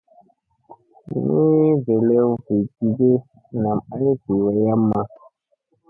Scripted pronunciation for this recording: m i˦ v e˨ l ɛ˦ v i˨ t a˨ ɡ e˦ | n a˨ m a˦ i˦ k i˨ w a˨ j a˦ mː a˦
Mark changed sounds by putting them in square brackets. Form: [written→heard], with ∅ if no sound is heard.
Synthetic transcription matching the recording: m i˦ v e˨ l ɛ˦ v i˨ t [a˨→i˨] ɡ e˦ | n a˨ m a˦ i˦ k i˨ w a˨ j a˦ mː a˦